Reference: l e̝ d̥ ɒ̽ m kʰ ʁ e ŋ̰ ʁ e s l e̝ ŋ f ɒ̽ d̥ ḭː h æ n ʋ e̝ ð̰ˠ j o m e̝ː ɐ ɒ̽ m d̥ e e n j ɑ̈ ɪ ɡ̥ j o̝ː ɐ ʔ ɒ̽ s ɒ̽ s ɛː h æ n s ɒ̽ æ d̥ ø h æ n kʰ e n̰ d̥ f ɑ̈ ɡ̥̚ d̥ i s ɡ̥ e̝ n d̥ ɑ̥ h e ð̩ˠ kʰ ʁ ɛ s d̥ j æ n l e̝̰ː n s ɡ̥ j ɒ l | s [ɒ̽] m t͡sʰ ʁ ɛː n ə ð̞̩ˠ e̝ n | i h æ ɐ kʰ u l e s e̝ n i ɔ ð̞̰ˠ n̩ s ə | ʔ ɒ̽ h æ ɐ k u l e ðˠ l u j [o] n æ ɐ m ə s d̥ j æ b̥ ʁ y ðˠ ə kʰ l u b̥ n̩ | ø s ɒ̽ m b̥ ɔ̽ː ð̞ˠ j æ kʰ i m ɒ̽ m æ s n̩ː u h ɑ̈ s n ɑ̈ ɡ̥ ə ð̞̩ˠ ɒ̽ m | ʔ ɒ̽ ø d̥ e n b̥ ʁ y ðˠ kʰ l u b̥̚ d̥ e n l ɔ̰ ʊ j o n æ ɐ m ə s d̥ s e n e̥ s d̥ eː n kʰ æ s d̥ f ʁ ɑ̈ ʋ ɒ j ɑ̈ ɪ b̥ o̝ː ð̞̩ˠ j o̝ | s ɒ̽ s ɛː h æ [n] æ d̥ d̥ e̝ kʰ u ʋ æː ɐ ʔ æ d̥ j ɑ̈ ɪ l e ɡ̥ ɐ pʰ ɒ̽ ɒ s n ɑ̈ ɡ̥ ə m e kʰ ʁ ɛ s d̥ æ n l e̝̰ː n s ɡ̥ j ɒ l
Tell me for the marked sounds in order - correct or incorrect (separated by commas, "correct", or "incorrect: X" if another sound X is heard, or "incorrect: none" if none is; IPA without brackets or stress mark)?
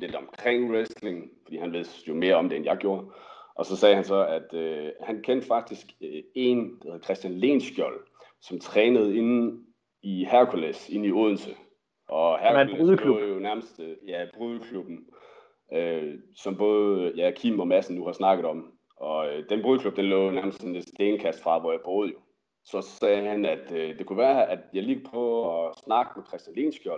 correct, correct, correct